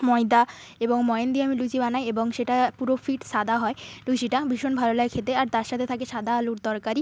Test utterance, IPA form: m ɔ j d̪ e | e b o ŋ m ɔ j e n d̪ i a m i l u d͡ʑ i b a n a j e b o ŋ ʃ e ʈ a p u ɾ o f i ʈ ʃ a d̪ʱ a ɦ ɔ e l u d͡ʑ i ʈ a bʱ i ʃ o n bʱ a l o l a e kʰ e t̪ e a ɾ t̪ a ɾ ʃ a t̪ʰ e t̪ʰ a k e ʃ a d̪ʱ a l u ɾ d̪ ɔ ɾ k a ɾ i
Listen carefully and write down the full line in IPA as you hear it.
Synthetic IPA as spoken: m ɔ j d̪ a | e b o ŋ m ɔ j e n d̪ i a m i l u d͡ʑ i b a n a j e b o ŋ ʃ e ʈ a p u ɾ o f i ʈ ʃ a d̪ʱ a ɦ ɔ e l u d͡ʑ i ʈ a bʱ i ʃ o n bʱ a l o l a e kʰ e t̪ e a ɾ t̪ a ɾ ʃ a t̪ʰ e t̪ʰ a k e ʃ a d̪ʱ a l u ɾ d̪ ɔ ɾ k a ɾ i